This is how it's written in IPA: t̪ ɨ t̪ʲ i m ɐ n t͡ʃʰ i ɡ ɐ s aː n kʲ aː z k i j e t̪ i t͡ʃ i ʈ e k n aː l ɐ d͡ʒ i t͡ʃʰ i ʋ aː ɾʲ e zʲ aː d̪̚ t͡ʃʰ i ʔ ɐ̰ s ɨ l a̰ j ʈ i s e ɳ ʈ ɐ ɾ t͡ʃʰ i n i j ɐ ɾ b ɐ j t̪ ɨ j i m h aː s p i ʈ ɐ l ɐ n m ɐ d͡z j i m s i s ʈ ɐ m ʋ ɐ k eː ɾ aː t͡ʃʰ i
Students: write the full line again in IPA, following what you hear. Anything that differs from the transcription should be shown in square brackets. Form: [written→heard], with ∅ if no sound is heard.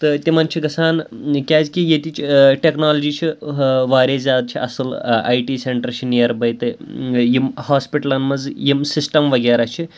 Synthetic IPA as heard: t̪ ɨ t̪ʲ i m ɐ n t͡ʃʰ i ɡ ɐ s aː n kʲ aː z k i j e t̪ i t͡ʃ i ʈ e k n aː l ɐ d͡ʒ i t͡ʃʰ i ʋ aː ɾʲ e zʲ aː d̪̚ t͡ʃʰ i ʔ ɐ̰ s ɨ l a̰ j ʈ i s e ɳ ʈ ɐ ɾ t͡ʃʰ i n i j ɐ ɾ b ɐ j t̪ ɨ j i m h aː s p i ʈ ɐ l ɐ n m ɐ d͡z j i m s i s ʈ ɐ m ʋ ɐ [k→ɡ] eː ɾ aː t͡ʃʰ i

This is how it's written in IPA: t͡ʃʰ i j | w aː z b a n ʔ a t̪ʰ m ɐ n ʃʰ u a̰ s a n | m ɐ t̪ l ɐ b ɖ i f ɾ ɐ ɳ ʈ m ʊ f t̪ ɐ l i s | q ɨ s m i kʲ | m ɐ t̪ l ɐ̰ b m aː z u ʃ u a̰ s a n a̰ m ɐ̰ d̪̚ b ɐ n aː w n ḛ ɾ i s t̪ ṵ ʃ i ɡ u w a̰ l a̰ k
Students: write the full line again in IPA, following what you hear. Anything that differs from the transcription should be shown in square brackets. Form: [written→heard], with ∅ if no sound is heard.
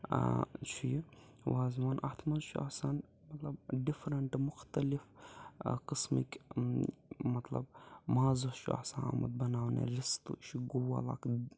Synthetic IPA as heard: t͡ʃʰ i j | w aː z [b→m] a n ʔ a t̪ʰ m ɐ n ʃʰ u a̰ s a n | m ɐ t̪ l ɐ b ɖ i f ɾ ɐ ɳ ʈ m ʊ [f→x] t̪ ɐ l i [s→f] | q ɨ s m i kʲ | m ɐ t̪ l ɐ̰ b m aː z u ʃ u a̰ s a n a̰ m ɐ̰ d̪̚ b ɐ n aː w n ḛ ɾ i s t̪ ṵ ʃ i ɡ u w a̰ l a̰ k

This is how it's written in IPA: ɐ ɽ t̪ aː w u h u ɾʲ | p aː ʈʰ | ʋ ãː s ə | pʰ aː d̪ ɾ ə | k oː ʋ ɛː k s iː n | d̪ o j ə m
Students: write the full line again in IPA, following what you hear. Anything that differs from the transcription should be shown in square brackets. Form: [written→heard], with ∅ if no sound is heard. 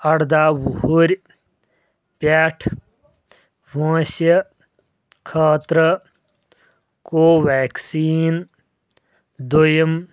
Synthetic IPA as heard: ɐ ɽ [t̪→d̪] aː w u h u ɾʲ | p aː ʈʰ | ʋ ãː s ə | [pʰ→kʰ] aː [d̪→t̪] ɾ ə | k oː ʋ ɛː k s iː n | d̪ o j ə m

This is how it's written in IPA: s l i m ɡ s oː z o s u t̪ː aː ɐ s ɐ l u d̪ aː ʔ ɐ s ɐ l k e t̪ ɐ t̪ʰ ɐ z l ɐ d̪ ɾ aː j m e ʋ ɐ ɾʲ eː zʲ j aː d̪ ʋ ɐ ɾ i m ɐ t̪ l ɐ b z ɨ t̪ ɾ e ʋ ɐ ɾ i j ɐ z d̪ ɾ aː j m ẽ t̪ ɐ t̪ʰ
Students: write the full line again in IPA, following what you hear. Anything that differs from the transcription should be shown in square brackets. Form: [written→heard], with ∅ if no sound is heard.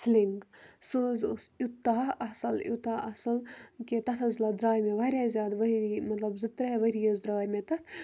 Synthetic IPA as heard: s l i [m→ŋ] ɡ s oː z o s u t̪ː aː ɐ s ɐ l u [d̪→t̪] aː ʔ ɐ s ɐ l k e t̪ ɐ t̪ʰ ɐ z l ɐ d̪ ɾ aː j m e ʋ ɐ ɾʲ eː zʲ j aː d̪ ʋ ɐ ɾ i m ɐ t̪ l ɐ b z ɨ t̪ ɾ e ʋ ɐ ɾ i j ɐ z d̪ ɾ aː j m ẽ t̪ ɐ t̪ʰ

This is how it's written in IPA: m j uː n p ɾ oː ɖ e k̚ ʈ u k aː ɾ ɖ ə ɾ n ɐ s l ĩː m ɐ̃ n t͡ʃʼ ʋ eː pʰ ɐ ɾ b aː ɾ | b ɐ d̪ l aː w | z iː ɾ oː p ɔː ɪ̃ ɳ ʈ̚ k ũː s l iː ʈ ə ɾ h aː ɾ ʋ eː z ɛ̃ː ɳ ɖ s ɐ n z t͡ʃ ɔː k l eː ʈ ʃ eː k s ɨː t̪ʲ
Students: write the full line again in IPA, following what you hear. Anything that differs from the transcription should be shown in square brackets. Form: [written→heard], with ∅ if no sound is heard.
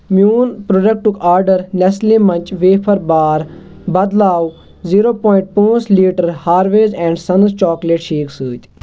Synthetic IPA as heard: m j uː n p ɾ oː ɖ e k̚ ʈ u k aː ɾ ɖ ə ɾ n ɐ s l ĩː m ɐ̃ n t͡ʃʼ ʋ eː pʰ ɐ ɾ b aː ɾ | b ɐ d̪ l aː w | z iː ɾ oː p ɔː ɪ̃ ɳ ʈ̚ [k→p] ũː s l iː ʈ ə ɾ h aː ɾ ʋ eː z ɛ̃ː ɳ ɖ s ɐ n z t͡ʃ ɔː k l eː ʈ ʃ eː k s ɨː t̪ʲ

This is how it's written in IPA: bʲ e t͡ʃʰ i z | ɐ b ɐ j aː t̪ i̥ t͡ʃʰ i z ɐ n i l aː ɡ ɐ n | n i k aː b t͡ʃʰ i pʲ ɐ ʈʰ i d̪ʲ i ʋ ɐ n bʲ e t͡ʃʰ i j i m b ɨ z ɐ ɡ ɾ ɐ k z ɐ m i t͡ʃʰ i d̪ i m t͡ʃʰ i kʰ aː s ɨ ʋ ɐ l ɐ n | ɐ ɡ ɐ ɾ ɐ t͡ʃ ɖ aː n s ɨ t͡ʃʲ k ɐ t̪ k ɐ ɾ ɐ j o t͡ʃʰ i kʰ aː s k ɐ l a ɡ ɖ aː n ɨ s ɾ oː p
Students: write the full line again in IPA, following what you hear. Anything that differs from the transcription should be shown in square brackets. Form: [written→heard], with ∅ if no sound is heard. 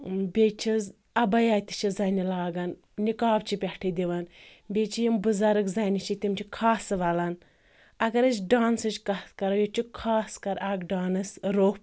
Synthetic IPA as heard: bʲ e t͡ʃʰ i z | ɐ b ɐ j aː t̪ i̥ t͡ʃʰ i z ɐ n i l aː ɡ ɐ n | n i k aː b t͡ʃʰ i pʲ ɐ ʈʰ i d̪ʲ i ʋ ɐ n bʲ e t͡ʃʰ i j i m b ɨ z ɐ [ɡ→∅] ɾ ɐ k z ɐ [m→n] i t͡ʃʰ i [d̪→t̪] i m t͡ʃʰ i kʰ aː s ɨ ʋ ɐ l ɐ n | ɐ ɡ ɐ ɾ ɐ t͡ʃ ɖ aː n s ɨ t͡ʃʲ k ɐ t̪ k ɐ ɾ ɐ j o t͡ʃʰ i kʰ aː s k ɐ [l→ɾ] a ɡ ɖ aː n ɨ s ɾ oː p

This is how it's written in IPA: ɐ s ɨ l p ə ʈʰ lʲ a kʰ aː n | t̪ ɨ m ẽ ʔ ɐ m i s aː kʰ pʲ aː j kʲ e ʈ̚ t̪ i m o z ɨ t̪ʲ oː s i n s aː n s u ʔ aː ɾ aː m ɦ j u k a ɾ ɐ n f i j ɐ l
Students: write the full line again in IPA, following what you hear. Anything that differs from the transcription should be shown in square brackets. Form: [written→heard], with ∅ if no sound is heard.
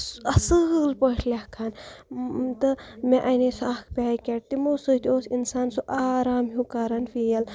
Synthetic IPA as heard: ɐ s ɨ l p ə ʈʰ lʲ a kʰ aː n | t̪ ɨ m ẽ ʔ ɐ [m→n] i s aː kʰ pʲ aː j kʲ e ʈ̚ t̪ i m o [z→s] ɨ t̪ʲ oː s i n s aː n s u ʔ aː ɾ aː m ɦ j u k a ɾ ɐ n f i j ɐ l

